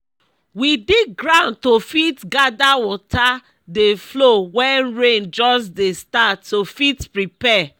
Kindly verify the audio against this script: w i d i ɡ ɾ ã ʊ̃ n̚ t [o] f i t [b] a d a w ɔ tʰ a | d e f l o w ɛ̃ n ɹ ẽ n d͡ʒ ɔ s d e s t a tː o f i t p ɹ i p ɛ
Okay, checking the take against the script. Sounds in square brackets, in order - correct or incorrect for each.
correct, incorrect: ɡ

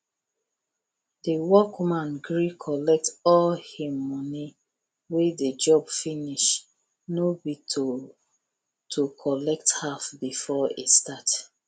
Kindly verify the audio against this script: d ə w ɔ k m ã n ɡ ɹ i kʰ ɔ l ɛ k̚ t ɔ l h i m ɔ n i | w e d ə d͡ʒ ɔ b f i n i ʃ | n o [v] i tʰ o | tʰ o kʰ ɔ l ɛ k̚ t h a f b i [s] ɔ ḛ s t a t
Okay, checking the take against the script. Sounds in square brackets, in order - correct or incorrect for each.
incorrect: b, incorrect: f

